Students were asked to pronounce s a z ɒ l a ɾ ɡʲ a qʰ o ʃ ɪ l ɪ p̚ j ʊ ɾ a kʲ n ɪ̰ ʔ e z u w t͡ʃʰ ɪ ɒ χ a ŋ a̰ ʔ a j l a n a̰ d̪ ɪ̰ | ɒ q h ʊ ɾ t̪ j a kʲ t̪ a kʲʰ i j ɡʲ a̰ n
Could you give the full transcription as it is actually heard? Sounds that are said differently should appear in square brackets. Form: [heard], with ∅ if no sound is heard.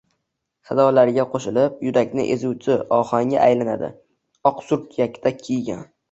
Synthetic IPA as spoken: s a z ɒ l a ɾ ɡʲ a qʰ o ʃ ɪ l ɪ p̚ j ʊ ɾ a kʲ n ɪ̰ ʔ e z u w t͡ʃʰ ɪ ɒ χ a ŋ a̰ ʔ a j l a n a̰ d̪ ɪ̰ | ɒ q [s] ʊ ɾ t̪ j a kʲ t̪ a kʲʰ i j ɡʲ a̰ n